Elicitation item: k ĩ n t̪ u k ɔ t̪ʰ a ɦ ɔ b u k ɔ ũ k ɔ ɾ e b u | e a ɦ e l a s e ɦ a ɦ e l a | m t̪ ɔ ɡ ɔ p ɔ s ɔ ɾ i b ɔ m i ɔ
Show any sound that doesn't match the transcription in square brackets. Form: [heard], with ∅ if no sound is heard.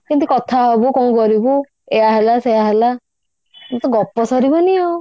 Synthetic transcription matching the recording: k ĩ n t̪ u k ɔ t̪ʰ a ɦ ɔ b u k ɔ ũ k ɔ ɾ [i] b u | e a ɦ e l a s e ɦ a ɦ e l a | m t̪ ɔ ɡ ɔ p ɔ s ɔ ɾ i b ɔ [n] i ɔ